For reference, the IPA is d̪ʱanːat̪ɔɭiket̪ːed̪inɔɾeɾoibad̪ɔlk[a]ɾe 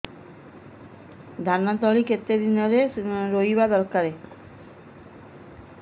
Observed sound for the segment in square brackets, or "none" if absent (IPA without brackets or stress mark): a